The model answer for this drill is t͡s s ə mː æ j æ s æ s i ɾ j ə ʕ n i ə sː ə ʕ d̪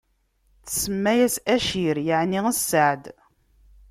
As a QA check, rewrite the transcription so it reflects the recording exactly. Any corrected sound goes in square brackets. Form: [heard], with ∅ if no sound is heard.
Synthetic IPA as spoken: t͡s s ə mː æ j æ s æ [ʃ] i ɾ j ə ʕ n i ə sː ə ʕ d̪